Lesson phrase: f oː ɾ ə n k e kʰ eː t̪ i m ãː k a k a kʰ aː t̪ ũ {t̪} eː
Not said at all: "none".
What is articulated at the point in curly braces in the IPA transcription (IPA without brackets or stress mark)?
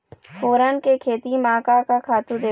d̪